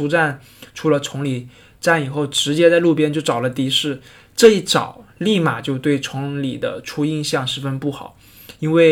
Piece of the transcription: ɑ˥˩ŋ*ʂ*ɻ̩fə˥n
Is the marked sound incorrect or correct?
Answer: correct